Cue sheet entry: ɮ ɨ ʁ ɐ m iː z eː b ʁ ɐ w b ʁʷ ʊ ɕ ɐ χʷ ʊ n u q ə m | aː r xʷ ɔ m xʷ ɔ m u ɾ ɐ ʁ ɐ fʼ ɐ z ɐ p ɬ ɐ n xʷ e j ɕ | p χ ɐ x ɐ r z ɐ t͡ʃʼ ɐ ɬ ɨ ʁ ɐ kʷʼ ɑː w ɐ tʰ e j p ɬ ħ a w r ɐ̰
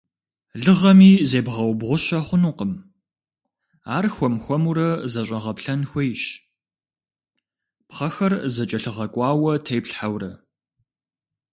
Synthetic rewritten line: ɮ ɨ ʁ ɐ m iː z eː b ʁ ɐ w b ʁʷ ʊ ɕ ɐ χʷ ʊ n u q ə m | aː r xʷ ɔ m xʷ ɔ m u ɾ ɐ z ɐ ɕʼ ɐ ʁ ɐ p ɬ ɐ n xʷ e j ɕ | p χ ɐ x ɐ r z ɐ t͡ʃʼ ɐ ɬ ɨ ʁ ɐ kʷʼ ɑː w ɐ tʰ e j p ɬ ħ a w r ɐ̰